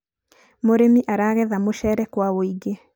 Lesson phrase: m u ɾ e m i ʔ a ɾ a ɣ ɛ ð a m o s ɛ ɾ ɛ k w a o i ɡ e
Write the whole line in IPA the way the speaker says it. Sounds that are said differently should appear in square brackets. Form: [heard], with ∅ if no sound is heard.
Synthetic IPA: m [o] ɾ e m i ʔ a ɾ a ɣ ɛ ð a m o [ʃ] ɛ ɾ ɛ k w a o i ɡ e